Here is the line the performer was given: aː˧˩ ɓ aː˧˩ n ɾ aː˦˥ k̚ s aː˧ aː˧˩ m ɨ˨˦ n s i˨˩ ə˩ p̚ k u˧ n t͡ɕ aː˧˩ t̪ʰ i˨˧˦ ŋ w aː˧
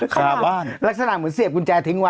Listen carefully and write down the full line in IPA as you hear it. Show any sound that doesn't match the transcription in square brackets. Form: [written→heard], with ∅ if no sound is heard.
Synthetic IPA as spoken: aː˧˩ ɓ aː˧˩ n [ɾ→l] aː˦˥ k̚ s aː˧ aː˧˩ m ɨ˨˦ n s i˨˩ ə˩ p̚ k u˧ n t͡ɕ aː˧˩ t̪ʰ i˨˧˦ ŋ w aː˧